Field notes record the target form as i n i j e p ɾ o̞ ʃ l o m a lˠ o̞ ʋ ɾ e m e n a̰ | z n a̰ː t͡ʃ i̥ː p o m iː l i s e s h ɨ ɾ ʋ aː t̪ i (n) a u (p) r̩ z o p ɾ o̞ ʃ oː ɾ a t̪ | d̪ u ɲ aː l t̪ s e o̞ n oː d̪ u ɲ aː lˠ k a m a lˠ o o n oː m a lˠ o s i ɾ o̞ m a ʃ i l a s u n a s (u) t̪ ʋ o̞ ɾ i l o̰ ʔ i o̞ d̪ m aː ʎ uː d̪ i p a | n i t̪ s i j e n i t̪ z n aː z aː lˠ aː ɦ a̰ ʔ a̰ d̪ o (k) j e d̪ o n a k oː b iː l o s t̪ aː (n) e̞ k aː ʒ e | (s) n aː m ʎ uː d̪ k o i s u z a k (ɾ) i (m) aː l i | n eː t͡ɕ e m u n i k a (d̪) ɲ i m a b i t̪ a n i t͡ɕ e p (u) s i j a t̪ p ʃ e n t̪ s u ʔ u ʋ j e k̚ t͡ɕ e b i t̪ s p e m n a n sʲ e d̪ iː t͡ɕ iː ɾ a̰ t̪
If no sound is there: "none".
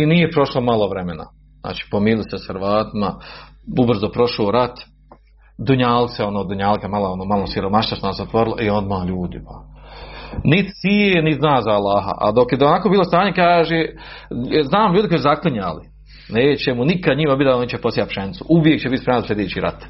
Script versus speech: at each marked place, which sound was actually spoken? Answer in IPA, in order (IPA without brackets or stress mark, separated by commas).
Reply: m, b, o, k, ɲ, z, l, ɲ, d̪, o